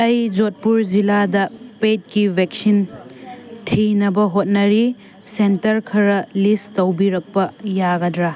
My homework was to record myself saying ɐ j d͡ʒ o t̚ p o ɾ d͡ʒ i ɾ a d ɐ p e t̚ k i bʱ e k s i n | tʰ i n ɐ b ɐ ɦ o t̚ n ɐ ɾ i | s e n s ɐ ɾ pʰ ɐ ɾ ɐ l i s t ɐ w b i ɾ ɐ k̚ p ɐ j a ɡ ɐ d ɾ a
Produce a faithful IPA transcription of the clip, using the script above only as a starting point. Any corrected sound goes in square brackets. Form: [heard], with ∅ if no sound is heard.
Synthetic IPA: ɐ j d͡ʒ o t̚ p [u] ɾ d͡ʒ i [l] a d ɐ p e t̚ k i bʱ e k s i n | tʰ i n ɐ b ɐ ɦ o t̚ n ɐ ɾ i | s e n [t] ɐ ɾ [kʰ] ɐ ɾ ɐ l i s t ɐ w b i ɾ ɐ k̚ p ɐ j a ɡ ɐ d ɾ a